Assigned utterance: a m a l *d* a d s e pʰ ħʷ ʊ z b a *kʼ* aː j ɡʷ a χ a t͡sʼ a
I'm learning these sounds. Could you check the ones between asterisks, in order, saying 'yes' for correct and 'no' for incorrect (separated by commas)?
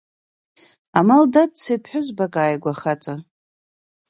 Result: yes, yes